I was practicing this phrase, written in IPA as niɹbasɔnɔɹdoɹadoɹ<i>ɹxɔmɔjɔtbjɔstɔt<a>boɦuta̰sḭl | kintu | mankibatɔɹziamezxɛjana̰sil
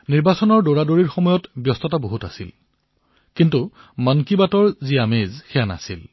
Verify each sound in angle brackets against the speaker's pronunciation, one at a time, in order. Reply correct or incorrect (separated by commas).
correct, correct